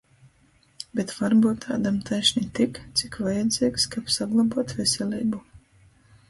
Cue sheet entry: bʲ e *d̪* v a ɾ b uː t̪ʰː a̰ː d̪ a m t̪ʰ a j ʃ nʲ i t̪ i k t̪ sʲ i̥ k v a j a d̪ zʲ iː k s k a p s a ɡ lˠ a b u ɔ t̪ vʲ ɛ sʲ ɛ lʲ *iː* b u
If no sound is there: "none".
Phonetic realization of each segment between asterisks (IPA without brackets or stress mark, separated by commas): t̪, iː